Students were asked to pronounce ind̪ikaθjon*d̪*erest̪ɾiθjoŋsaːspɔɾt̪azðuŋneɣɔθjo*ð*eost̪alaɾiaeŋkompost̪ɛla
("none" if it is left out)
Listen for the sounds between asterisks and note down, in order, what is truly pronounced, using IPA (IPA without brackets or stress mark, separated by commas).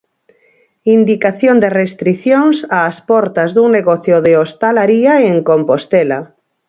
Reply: d̪, ð